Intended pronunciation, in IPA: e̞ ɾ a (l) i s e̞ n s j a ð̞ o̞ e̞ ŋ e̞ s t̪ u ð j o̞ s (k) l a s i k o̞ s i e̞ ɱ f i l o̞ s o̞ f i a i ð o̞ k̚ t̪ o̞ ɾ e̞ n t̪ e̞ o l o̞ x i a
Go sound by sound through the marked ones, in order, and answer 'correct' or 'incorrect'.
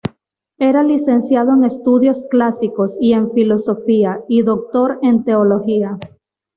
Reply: correct, correct

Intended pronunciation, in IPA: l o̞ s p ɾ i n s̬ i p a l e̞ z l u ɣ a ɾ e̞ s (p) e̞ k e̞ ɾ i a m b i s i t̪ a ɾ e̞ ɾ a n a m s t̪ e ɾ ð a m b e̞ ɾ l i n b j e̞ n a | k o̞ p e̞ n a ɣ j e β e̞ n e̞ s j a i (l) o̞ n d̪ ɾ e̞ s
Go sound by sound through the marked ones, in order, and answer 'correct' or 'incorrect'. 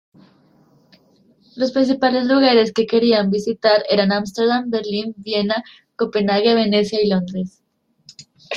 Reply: incorrect: k, correct

